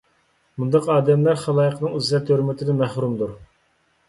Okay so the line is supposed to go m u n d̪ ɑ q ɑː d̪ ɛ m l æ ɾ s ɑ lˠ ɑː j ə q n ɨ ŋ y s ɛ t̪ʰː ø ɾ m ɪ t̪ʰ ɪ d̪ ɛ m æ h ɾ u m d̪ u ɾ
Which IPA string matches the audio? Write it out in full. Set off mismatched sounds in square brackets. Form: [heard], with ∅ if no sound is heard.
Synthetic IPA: m u n d̪ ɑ q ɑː d̪ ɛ m l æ ɾ [χ] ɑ lˠ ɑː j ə q n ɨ ŋ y [z] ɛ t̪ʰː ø ɾ m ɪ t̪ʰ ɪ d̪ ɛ m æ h ɾ u m d̪ u ɾ